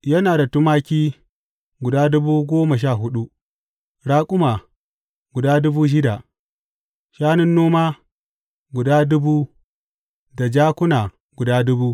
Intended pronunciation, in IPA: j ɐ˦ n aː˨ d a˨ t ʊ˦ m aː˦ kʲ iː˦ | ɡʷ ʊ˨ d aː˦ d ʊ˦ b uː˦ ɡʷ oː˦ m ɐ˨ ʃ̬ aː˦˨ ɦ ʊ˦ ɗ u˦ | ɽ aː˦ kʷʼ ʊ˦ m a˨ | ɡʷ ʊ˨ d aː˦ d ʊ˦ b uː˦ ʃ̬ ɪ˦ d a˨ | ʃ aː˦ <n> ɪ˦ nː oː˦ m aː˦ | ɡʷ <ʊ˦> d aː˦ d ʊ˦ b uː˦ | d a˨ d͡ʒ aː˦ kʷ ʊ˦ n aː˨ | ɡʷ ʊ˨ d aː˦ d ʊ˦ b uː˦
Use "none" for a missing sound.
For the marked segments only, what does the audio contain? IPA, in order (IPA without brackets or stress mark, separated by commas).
n, ʊ˨